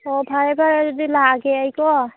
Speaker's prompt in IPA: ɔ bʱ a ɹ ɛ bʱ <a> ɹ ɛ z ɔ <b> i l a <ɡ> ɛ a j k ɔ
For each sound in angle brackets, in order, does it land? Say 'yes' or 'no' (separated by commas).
yes, no, yes